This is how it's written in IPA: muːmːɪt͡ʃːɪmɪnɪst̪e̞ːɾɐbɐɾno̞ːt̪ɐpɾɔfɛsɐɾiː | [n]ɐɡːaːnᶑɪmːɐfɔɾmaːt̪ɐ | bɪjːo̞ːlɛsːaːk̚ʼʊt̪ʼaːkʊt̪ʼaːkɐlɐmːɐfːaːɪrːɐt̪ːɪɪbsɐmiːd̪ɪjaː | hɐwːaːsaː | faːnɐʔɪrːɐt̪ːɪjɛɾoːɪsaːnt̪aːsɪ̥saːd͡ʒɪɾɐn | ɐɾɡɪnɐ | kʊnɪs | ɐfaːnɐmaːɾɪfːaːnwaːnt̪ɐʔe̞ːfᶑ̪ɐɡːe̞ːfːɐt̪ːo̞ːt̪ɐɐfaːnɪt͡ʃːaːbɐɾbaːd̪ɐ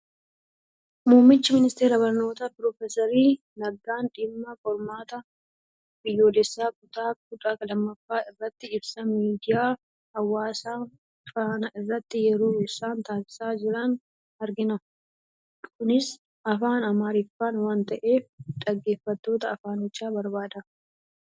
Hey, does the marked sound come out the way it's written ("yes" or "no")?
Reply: yes